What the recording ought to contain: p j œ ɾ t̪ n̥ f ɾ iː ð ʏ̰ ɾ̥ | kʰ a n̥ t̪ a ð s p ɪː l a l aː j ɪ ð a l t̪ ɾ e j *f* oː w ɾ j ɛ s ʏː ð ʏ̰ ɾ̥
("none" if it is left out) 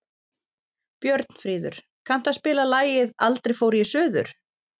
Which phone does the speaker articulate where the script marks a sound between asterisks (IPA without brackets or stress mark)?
f